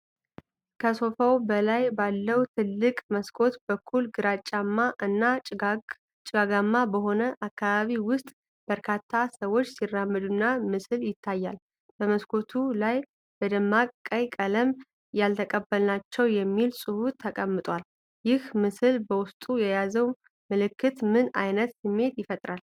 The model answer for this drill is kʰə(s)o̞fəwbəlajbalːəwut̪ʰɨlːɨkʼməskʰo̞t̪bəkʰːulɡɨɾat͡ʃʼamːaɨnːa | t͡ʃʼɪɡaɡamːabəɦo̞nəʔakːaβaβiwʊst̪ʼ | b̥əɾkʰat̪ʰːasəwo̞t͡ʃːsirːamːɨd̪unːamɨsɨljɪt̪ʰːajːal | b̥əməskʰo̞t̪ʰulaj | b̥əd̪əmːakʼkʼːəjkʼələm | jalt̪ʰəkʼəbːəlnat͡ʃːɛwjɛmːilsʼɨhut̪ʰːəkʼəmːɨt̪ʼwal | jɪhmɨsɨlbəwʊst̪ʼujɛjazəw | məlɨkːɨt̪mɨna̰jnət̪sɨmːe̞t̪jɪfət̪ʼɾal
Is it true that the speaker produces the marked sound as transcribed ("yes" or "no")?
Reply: yes